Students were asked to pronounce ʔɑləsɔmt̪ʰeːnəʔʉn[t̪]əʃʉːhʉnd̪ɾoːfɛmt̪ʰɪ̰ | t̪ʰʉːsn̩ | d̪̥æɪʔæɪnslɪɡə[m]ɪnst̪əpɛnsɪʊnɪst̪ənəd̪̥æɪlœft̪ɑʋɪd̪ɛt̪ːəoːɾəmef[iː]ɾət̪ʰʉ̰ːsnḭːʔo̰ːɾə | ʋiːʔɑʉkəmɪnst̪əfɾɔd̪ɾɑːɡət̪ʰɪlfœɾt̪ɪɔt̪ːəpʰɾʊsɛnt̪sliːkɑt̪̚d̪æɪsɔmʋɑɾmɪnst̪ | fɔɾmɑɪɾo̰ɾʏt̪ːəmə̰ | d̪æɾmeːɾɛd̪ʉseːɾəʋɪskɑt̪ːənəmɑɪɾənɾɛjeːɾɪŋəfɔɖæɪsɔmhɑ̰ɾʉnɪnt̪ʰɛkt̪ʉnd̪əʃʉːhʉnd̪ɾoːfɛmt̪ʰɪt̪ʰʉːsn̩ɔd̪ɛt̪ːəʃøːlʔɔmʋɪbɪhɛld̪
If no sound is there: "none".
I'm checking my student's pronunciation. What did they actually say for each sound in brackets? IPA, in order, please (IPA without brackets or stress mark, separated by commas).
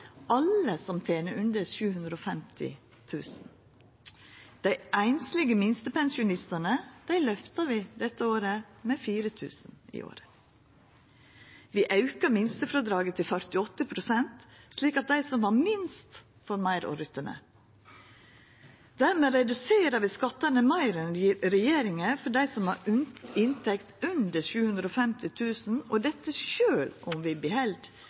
d̪, m, iː